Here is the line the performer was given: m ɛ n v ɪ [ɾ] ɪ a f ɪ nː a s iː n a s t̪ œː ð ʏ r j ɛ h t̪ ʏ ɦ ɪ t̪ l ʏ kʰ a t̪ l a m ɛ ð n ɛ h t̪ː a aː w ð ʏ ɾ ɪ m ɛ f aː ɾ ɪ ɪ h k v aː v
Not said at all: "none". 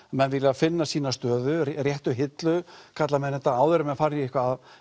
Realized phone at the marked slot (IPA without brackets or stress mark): l